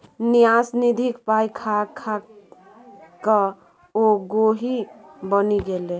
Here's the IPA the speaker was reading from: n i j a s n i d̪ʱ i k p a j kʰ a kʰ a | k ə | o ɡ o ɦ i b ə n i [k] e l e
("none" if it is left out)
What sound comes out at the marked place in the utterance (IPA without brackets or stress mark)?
ɡ